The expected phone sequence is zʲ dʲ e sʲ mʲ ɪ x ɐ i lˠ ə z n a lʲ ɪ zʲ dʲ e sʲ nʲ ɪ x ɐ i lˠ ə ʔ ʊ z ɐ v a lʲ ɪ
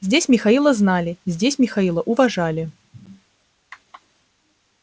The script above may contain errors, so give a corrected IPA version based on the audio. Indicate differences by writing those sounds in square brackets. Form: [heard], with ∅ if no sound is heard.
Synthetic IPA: zʲ dʲ e sʲ mʲ ɪ x ɐ i lˠ ə z n a lʲ ɪ zʲ dʲ e sʲ [mʲ] ɪ x ɐ i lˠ ə ʔ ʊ [v] ɐ [ʐ] a lʲ ɪ